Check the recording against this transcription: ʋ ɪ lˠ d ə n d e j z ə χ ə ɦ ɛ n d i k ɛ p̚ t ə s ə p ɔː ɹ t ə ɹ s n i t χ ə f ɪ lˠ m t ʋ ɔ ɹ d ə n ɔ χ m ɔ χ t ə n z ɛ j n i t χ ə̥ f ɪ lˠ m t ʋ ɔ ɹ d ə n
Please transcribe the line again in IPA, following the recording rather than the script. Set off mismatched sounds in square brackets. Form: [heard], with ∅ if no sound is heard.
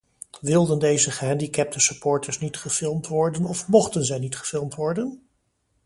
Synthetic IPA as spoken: ʋ ɪ lˠ d ə n d e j z ə χ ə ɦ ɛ n d i k ɛ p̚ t ə s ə p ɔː ɹ t ə ɹ s n i t χ ə f ɪ lˠ m t ʋ ɔ ɹ d ə n ɔ [f] m ɔ χ t ə n z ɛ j n i t χ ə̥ f ɪ lˠ m t ʋ ɔ ɹ d ə n